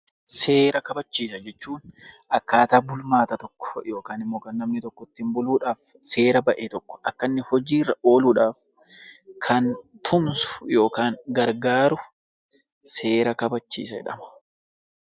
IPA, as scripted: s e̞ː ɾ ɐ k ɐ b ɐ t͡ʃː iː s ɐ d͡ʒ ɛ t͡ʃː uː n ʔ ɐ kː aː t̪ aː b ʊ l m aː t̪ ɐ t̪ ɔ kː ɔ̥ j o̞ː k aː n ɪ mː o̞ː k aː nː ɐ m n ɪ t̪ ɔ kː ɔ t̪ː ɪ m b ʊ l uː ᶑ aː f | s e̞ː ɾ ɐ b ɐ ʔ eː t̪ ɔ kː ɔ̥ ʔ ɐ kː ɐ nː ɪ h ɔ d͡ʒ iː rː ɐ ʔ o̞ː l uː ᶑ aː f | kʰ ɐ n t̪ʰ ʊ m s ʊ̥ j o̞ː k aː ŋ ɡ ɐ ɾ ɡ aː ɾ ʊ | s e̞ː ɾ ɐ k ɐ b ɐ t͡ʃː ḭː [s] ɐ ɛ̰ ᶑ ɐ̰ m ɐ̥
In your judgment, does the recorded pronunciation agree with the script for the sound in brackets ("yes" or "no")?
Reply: yes